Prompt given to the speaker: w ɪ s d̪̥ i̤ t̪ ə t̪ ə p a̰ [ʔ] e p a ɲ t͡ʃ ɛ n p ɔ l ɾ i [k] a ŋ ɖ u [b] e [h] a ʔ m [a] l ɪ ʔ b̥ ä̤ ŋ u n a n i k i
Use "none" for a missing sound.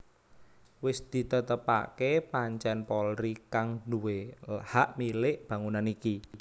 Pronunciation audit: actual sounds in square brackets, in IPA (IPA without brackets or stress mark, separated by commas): k, k, w, h, i